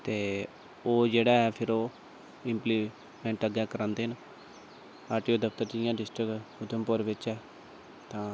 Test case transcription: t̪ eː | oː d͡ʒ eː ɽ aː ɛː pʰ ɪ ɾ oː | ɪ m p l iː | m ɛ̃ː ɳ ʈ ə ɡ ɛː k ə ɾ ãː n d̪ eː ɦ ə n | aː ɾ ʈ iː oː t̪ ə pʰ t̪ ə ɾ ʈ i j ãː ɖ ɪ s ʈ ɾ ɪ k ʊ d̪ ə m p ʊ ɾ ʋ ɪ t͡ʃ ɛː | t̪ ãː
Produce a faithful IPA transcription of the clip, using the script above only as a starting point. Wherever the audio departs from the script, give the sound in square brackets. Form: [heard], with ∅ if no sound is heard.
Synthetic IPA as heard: t̪ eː | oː d͡ʒ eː ɽ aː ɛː pʰ ɪ ɾ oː | ɪ m p l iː | m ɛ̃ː ɳ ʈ ə ɡ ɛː k ə ɾ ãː n d̪ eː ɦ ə n | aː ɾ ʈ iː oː [d̪] ə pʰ t̪ ə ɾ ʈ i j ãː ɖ ɪ s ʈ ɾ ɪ k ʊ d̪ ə m p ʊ ɾ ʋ ɪ t͡ʃ ɛː | t̪ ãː

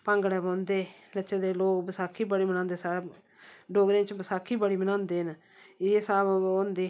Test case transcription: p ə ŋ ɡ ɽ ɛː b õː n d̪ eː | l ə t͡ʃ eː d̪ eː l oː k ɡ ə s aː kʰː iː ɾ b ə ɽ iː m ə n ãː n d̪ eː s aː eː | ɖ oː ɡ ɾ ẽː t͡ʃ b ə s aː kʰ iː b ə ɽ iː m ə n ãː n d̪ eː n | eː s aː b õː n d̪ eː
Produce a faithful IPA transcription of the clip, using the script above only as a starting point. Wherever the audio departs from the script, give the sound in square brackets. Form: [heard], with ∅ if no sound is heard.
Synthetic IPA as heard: p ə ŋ ɡ ɽ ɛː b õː n d̪ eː | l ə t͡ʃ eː d̪ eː l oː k [b] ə s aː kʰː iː [∅] b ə ɽ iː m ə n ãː n d̪ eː s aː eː | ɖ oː ɡ ɾ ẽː t͡ʃ b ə s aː kʰ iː b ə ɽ iː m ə n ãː n d̪ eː n | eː s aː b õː n d̪ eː

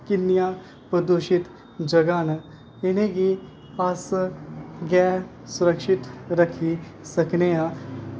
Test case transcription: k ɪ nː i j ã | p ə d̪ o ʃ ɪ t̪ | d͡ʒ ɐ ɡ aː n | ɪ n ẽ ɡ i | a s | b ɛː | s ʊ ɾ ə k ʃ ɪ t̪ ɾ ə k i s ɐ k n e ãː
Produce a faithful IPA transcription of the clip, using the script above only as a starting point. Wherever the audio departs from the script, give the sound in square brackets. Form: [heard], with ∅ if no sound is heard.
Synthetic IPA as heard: k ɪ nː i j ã | p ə d̪ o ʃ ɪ t̪ | d͡ʒ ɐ ɡ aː n | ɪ n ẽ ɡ i | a s | [ɡ] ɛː | s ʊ ɾ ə k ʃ ɪ t̪ ɾ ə [kʰ] i s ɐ k n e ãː

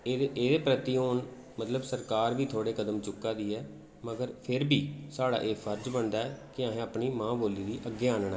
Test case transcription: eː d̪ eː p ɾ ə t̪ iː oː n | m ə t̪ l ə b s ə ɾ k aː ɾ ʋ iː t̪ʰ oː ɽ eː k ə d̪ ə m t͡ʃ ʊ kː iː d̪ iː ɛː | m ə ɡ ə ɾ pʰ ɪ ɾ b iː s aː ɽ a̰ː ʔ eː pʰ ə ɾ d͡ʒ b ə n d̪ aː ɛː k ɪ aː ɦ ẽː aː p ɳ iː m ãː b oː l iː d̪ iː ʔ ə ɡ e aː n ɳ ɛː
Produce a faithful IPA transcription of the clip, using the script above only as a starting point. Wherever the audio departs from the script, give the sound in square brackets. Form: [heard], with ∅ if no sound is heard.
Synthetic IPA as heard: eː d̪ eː p ɾ ə t̪ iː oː n | m ə t̪ l ə b s ə ɾ k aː ɾ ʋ iː t̪ʰ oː ɽ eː k ə d̪ ə m t͡ʃ ʊ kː [aː] d̪ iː ɛː | m ə ɡ ə ɾ pʰ ɪ ɾ b iː s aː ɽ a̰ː ʔ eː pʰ ə ɾ d͡ʒ b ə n d̪ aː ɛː k ɪ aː ɦ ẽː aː p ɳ iː m ãː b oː l iː d̪ iː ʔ ə ɡ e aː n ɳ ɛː

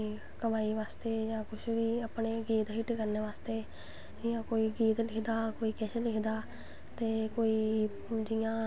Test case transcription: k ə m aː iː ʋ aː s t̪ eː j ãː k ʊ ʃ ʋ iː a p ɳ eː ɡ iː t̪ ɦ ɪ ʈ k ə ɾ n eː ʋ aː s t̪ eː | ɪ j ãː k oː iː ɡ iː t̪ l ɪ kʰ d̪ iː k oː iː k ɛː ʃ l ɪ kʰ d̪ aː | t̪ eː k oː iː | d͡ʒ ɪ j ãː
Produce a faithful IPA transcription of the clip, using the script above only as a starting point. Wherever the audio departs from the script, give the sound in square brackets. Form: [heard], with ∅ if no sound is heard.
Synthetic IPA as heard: k ə m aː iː ʋ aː s t̪ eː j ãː k ʊ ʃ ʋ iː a p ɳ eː ɡ iː t̪ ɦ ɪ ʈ k ə ɾ n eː ʋ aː s t̪ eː | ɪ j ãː k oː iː ɡ iː t̪ l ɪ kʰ d̪ [aː] k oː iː k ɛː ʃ l ɪ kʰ d̪ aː | t̪ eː k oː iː | d͡ʒ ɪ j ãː

